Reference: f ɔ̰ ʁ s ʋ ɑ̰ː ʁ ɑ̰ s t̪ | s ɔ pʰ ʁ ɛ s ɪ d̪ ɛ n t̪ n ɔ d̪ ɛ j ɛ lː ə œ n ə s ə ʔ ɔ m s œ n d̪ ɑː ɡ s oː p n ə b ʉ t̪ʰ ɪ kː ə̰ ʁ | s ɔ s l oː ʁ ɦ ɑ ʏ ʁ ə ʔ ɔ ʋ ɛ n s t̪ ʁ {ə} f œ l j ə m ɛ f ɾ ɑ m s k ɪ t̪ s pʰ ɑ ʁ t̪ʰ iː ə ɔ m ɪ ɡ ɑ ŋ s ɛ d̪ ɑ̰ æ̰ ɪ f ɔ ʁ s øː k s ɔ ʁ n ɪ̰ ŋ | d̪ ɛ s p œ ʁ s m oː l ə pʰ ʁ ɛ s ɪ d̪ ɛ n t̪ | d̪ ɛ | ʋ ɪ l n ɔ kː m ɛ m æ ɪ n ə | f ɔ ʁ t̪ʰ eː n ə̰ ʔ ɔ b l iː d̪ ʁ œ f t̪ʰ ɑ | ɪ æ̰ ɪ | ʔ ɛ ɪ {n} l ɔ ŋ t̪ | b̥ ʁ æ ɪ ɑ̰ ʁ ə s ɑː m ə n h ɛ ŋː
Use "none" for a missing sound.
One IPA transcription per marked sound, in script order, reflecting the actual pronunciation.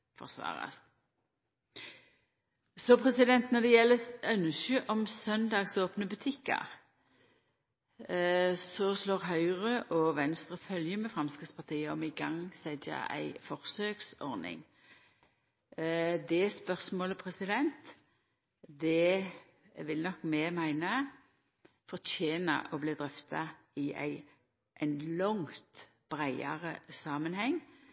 ə, n

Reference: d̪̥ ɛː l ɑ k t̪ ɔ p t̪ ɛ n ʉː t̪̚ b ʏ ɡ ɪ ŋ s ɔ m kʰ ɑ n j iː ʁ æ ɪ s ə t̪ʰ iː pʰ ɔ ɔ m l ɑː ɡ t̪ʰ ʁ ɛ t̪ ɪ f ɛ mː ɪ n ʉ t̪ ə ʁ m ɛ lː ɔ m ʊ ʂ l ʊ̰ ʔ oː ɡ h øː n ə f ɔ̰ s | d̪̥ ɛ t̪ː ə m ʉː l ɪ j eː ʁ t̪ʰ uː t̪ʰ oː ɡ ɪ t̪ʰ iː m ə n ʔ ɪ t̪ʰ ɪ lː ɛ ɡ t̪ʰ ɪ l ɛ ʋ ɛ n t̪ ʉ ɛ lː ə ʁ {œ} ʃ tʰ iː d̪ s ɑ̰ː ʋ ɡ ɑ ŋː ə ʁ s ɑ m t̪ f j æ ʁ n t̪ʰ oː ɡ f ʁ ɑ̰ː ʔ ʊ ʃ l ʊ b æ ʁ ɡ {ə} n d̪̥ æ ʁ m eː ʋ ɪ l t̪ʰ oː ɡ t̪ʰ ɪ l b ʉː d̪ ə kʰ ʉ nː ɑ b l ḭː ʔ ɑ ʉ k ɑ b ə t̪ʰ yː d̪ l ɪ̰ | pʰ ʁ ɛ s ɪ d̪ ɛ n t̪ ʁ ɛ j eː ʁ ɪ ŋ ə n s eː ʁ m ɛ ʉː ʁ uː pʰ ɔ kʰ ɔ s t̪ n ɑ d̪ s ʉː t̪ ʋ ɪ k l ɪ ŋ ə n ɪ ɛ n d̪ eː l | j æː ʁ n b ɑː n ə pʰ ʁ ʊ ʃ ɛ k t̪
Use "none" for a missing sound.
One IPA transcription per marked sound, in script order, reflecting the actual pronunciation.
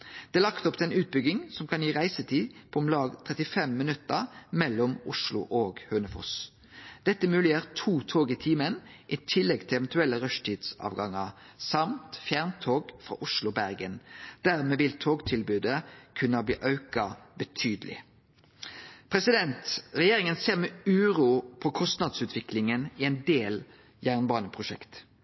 œ, ə

